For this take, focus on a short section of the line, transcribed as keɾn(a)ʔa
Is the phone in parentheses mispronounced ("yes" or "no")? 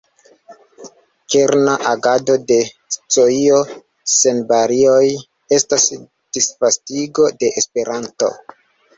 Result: no